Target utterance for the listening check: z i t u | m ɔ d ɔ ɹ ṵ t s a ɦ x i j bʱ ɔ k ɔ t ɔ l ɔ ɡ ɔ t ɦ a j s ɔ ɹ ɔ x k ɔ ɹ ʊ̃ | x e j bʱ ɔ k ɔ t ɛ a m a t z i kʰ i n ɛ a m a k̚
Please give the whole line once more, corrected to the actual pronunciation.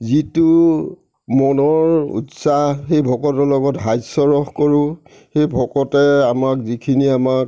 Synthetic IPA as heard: z i t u | m ɔ n ɔ ɹ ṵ t s a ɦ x e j bʱ ɔ k ɔ t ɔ l ɔ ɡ ɔ t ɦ a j s ɔ ɹ ɔ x k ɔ ɹ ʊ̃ | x e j bʱ ɔ k ɔ t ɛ a m a k z i kʰ i n i a m a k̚